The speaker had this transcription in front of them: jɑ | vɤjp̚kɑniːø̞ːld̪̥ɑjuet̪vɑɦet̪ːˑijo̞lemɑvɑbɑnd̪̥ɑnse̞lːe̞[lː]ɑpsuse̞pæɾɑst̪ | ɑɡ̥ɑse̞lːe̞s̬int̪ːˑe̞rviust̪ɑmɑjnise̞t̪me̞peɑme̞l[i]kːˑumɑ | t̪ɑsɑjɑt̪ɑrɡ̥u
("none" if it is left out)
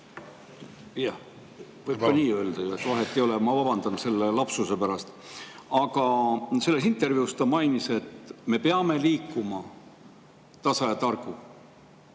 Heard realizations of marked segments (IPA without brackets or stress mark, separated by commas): l, iː